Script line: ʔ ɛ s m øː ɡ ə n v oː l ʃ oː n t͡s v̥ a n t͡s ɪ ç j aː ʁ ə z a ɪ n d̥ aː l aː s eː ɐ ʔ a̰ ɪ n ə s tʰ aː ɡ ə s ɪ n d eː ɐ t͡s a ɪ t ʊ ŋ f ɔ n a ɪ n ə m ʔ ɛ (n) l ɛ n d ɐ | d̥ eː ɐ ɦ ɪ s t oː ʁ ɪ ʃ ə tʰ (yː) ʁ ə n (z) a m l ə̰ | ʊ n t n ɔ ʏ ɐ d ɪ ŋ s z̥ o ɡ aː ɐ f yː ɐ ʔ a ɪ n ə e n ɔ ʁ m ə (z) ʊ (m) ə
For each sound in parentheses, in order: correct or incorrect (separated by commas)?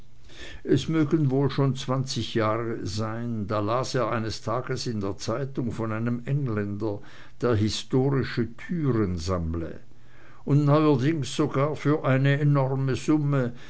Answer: incorrect, correct, correct, correct, correct